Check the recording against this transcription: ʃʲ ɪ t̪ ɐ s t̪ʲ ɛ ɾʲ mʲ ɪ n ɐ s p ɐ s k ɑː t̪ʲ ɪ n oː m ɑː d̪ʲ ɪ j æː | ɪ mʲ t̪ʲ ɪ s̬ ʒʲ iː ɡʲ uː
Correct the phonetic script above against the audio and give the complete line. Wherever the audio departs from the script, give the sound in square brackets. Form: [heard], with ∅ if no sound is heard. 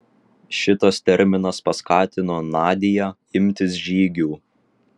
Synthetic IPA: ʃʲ ɪ t̪ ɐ s t̪ʲ ɛ ɾʲ mʲ ɪ n ɐ s p ɐ s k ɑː t̪ʲ ɪ n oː [n] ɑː d̪ʲ ɪ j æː | ɪ mʲ t̪ʲ ɪ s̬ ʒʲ iː ɡʲ uː

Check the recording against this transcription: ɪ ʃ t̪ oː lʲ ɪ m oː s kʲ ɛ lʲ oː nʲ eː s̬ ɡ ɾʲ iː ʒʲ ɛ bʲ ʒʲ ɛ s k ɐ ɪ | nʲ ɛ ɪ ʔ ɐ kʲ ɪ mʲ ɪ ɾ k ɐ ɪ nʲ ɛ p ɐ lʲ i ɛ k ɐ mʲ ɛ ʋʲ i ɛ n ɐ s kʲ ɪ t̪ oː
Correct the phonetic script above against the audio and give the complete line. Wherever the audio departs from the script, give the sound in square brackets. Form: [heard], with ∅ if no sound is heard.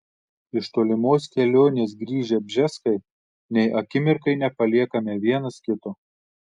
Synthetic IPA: ɪ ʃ t̪ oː lʲ ɪ m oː s kʲ ɛ lʲ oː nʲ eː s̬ ɡ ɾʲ iː ʒʲ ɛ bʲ ʒʲ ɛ s k ɐ ɪ | nʲ ɛ ɪ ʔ ɐ kʲ ɪ mʲ ɪ ɾ k ɐ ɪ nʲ ɛ p ɐ lʲ i ɛ k ɐ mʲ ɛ ʋʲ i ɛ n ɐ s kʲ ɪ t̪ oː

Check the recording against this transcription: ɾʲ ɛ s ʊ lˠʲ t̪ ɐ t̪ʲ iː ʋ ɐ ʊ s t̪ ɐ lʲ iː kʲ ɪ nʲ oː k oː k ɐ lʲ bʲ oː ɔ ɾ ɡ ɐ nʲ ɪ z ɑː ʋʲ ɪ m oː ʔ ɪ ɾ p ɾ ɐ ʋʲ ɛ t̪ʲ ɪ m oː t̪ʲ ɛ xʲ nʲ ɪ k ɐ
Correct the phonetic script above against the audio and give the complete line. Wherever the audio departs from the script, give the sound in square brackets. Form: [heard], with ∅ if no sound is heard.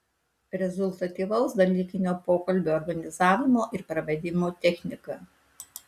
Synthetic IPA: ɾʲ ɛ [z] ʊ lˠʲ t̪ ɐ t̪ʲ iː ʋ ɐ ʊ s [d̪] ɐ lʲ iː kʲ ɪ nʲ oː [p] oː k ɐ lʲ bʲ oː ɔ ɾ ɡ ɐ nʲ ɪ z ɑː ʋʲ ɪ m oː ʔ ɪ ɾ p ɾ ɐ ʋʲ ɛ [d̪ʲ] ɪ m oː t̪ʲ ɛ xʲ nʲ ɪ k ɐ

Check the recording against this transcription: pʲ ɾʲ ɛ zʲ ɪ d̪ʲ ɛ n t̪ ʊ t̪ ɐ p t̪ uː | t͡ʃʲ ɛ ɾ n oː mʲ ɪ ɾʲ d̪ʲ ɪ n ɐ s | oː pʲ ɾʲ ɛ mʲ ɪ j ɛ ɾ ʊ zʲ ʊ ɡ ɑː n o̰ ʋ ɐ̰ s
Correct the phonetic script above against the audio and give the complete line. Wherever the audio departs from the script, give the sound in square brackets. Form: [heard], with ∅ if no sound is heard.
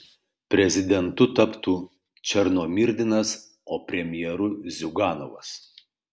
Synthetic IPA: pʲ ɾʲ ɛ zʲ ɪ d̪ʲ ɛ n t̪ ʊ t̪ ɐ p t̪ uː | t͡ʃʲ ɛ ɾ n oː mʲ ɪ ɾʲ d̪ʲ ɪ n ɐ s | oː pʲ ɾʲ ɛ mʲ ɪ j ɛ ɾ ʊ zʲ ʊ ɡ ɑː n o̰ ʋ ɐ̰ s

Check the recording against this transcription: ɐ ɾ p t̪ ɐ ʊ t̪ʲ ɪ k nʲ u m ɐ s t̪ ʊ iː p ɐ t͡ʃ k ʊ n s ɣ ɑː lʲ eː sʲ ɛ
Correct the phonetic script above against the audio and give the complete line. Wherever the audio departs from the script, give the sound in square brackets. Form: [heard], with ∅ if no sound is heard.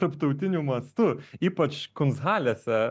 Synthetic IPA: ɐ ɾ p t̪ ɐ ʊ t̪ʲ ɪ [∅] nʲ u m ɐ s t̪ ʊ iː p ɐ t͡ʃ k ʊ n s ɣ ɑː lʲ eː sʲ ɛ

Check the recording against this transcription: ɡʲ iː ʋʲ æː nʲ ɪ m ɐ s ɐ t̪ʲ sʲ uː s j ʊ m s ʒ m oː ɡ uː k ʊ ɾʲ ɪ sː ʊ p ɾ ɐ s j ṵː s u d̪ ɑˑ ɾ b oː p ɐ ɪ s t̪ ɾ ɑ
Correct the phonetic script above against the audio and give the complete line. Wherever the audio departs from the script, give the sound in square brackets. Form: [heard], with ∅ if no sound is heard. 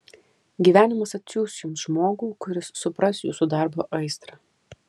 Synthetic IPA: ɡʲ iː ʋʲ æː nʲ ɪ m ɐ s ɐ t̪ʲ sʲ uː s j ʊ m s ʒ m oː ɡ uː k ʊ ɾʲ ɪ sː ʊ p ɾ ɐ s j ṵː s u d̪ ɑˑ ɾ b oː [ʔ] ɐ ɪ s t̪ ɾ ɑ

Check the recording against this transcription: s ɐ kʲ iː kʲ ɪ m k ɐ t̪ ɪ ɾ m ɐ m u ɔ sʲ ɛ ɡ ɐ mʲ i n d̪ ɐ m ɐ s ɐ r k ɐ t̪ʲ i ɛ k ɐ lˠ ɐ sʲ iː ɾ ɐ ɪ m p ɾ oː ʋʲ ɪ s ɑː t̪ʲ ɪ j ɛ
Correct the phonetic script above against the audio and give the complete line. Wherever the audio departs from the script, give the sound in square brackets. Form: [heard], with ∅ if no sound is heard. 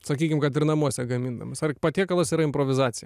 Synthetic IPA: s ɐ kʲ iː kʲ ɪ m k ɐ t̪ ɪ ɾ [n] ɐ m u ɔ sʲ ɛ ɡ ɐ mʲ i n d̪ ɐ m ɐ s ɐ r [p] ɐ t̪ʲ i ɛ k ɐ lˠ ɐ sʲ iː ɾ ɐ ɪ m p ɾ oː ʋʲ ɪ [z] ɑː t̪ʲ ɪ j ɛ

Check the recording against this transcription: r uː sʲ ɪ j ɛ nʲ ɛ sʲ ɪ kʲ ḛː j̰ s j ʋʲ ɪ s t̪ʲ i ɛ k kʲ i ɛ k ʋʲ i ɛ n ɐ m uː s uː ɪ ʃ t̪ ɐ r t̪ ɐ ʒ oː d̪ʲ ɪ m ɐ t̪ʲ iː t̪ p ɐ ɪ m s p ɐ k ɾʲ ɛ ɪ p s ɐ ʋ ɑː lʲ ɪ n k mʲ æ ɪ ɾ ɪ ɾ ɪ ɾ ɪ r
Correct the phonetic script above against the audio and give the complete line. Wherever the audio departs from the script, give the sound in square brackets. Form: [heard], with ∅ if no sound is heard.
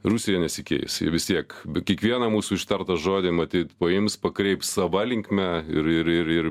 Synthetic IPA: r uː sʲ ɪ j ɛ nʲ ɛ sʲ ɪ kʲ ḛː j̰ s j ʋʲ ɪ s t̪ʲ i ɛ k kʲ i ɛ k ʋʲ i ɛ n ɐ m uː s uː ɪ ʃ t̪ ɐ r t̪ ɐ ʒ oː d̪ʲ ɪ m ɐ t̪ʲ iː t̪ p ɐ ɪ m s p ɐ k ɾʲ ɛ ɪ p s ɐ ʋ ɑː lʲ ɪ [ŋ] k mʲ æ ɪ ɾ ɪ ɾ ɪ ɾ ɪ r

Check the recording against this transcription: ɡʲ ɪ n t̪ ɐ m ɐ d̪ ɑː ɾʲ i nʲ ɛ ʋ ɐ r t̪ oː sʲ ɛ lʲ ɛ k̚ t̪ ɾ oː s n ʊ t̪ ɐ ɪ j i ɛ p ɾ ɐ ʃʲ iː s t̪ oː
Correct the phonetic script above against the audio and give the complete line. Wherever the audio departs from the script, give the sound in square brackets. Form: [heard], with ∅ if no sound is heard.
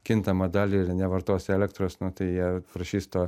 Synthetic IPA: [kʲ] ɪ n t̪ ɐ m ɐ d̪ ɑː [lʲ] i nʲ ɛ ʋ ɐ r t̪ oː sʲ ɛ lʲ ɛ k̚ t̪ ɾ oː s n ʊ t̪ ɐ ɪ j i ɛ p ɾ ɐ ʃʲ iː s t̪ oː

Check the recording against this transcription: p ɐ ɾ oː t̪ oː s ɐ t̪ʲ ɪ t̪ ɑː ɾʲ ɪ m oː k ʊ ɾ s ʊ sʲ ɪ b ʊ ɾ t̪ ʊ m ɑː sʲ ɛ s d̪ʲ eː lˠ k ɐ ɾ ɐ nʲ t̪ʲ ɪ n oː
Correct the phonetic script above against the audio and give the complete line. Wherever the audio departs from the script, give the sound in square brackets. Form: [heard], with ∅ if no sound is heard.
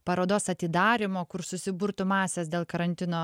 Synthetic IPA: p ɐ ɾ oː [d̪] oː s ɐ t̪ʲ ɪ [d̪] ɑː ɾʲ ɪ m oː k ʊ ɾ s ʊ sʲ ɪ b ʊ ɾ t̪ ʊ m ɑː sʲ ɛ s d̪ʲ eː lˠ k ɐ ɾ ɐ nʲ t̪ʲ ɪ n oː

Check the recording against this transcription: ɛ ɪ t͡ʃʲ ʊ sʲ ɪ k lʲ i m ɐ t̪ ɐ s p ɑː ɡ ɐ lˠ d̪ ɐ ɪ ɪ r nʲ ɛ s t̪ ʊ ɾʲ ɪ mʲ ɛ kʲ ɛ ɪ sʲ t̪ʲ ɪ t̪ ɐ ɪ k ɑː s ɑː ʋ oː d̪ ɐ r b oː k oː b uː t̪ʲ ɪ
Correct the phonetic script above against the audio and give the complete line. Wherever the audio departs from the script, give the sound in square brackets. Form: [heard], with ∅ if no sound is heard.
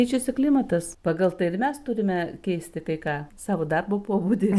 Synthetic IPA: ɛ ɪ t͡ʃʲ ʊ sʲ ɪ k lʲ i m ɐ t̪ ɐ s p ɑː ɡ ɐ lˠ [t̪] ɐ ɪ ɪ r [mʲ] ɛ s t̪ ʊ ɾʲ ɪ mʲ ɛ kʲ ɛ ɪ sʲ t̪ʲ ɪ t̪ ɐ ɪ k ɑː s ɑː ʋ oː d̪ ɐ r b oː [p] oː b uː [d̪ʲ] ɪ

